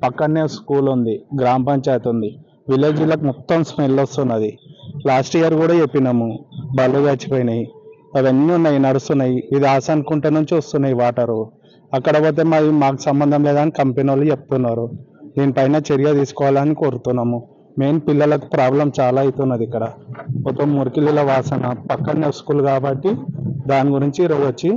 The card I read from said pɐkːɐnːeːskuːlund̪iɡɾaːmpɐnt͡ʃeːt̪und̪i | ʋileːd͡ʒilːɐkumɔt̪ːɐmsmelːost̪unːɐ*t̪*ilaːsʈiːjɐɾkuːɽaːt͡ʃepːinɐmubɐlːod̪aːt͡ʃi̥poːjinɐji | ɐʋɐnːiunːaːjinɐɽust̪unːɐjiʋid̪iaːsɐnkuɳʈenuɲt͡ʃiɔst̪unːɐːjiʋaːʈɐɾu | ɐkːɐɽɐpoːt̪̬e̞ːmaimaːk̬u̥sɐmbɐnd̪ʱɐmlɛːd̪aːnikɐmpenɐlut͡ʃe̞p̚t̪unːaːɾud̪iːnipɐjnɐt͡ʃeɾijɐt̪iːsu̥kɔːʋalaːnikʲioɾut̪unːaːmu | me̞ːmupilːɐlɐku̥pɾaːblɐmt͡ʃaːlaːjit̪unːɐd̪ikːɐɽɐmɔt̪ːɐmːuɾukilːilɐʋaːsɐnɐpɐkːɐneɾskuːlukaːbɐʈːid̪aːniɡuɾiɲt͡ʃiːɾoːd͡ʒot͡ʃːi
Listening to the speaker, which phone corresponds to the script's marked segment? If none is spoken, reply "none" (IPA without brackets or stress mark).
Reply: d̪